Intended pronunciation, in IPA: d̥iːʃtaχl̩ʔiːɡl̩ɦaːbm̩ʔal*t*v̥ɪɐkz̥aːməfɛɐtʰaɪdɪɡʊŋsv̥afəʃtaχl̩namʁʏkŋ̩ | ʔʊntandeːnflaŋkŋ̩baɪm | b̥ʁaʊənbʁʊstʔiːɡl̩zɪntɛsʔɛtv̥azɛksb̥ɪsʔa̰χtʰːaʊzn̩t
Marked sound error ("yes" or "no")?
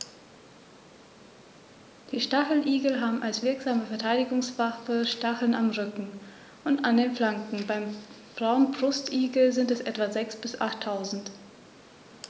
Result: yes